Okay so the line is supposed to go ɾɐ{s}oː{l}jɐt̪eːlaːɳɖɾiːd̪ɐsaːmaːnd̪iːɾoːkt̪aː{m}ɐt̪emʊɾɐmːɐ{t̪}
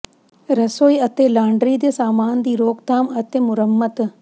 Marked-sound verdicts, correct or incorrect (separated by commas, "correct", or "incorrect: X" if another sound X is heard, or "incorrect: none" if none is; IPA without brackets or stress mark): correct, incorrect: none, correct, correct